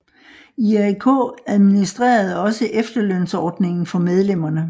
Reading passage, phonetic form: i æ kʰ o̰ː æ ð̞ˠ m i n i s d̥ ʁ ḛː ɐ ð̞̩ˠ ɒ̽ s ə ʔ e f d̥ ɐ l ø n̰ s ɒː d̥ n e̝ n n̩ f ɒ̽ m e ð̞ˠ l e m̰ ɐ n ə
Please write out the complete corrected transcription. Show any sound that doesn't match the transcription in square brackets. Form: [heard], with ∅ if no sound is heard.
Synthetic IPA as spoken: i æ kʰ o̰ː æ ð̞ˠ m i n i s d̥ ʁ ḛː ɐ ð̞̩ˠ ɒ̽ s ə ʔ e f d̥ ɐ l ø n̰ s ɒː d̥ n e̝ [ŋ] n̩ f ɒ̽ m e ð̞ˠ l e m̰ ɐ n ə